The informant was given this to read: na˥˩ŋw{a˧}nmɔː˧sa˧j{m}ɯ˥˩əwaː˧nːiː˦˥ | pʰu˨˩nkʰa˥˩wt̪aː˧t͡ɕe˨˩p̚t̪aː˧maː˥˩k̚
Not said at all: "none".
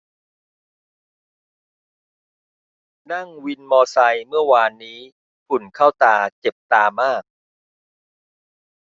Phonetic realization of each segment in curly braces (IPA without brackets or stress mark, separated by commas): i˧, m